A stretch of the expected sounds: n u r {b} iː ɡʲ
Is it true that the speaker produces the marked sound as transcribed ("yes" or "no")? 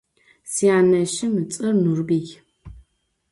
yes